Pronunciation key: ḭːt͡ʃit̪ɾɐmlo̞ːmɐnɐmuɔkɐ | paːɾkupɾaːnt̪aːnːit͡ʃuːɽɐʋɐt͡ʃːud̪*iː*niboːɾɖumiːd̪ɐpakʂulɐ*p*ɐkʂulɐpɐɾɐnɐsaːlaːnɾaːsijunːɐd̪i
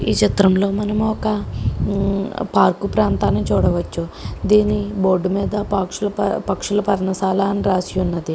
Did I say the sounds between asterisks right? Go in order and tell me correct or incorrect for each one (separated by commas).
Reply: correct, correct